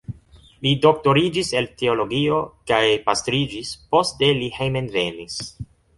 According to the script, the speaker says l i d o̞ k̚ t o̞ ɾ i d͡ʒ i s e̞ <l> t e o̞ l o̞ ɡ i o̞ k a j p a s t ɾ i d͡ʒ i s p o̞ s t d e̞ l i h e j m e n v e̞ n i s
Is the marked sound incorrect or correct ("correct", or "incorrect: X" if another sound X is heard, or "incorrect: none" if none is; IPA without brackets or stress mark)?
correct